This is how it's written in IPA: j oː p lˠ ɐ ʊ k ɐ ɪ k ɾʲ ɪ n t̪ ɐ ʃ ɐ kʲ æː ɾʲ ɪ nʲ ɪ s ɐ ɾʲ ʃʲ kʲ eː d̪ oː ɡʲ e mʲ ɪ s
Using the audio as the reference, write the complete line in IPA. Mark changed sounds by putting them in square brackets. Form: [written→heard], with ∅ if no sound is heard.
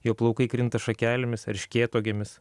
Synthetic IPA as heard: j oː p lˠ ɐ ʊ k ɐ ɪ k ɾʲ ɪ n t̪ ɐ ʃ ɐ kʲ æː [ɾʲ→lʲ] ɪ [nʲ→mʲ] ɪ s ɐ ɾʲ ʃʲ kʲ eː [d̪→t̪] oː ɡʲ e mʲ ɪ s